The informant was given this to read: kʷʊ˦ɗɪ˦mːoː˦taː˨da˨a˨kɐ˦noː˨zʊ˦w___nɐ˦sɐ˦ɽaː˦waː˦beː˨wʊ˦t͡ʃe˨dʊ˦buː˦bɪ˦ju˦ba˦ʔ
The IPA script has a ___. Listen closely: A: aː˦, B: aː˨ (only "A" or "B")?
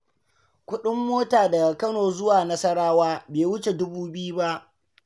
B